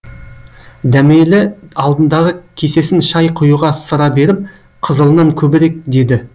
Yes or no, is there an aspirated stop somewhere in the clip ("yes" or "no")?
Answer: yes